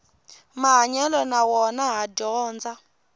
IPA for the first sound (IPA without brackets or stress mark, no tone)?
m